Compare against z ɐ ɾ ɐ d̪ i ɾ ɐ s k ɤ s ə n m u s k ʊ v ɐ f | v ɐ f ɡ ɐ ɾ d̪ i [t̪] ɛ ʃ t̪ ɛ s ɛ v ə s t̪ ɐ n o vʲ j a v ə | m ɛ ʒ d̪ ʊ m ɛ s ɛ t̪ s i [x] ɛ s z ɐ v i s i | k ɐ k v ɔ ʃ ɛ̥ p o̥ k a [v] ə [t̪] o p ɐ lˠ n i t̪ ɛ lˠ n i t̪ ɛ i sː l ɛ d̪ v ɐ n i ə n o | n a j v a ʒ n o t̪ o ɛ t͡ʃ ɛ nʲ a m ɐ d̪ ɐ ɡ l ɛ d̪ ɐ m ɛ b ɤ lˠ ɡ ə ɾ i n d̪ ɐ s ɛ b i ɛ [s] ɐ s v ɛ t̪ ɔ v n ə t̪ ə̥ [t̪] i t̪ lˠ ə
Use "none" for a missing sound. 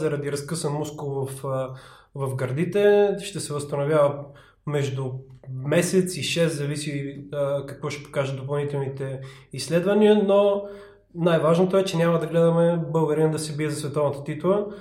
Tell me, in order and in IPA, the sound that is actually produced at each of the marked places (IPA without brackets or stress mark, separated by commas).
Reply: t̪, ʃ, ʒ, d̪, z, t̪